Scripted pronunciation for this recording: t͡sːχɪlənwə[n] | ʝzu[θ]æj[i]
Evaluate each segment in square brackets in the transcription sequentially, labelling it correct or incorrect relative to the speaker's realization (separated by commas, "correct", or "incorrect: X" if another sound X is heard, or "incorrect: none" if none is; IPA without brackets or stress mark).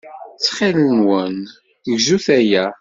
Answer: correct, correct, incorrect: æ